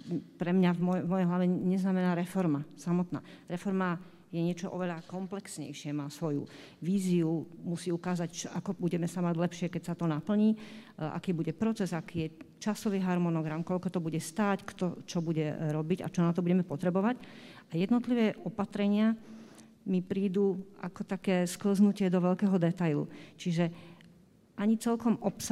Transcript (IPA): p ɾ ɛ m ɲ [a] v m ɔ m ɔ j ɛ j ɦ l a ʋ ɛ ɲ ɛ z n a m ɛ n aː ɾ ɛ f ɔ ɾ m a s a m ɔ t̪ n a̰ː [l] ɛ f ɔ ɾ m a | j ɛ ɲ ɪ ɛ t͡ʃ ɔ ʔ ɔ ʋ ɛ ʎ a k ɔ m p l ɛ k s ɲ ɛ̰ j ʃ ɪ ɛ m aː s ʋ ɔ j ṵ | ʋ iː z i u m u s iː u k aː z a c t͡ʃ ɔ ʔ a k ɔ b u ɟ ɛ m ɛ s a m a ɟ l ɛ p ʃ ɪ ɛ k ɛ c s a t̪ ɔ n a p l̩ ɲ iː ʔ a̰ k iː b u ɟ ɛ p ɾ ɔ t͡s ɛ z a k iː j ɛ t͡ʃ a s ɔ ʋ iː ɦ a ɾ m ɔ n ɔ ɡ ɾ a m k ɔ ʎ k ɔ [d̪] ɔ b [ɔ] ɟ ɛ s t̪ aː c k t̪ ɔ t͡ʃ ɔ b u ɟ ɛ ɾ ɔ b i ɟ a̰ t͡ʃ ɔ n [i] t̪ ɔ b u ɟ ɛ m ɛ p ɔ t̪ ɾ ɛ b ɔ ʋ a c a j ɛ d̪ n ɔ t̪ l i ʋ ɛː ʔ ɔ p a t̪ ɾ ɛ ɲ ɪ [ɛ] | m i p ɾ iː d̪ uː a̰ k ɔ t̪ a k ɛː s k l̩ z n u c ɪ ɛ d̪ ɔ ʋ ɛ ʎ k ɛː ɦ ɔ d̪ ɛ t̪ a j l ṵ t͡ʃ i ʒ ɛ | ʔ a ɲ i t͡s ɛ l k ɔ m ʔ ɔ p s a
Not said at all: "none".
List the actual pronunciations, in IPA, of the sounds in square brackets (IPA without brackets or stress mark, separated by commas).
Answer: a, ɾ, t̪, u, a, a